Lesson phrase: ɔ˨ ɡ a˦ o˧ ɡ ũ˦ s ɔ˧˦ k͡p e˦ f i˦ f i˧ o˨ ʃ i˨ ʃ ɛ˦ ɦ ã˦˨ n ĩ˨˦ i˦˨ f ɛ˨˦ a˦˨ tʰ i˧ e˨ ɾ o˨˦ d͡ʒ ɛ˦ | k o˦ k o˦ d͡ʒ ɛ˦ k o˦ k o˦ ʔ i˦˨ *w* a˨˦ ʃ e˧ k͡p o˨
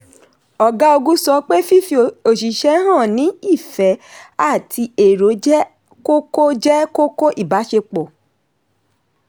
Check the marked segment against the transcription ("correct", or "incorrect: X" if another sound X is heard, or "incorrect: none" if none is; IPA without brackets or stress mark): incorrect: b